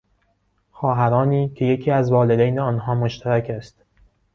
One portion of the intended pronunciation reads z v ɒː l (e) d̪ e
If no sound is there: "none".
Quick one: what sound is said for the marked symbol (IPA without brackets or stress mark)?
e